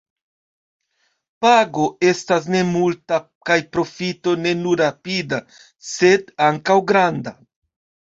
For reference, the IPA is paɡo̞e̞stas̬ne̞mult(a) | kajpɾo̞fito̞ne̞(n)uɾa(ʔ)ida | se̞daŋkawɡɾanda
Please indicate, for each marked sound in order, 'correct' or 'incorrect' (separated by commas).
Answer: correct, correct, incorrect